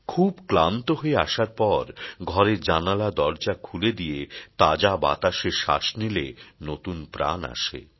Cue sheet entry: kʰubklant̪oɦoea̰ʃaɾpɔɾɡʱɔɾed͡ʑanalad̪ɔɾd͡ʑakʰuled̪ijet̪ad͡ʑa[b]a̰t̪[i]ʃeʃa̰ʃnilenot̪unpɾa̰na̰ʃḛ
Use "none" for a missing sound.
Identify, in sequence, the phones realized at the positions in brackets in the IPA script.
b, a

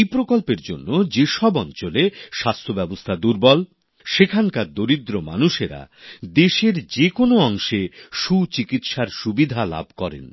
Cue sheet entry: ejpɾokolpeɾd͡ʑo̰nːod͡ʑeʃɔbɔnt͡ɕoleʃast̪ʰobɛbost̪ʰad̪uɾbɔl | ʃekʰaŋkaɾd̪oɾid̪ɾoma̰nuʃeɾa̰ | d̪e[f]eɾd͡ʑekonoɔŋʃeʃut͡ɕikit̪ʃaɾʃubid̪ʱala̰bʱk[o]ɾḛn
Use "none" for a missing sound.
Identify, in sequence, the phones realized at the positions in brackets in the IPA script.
ʃ, ɔ

